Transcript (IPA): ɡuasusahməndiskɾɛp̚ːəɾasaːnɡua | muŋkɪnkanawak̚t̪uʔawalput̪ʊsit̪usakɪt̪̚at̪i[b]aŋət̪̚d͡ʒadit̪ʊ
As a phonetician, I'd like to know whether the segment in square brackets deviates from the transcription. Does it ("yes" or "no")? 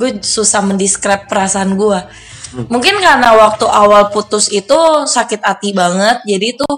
no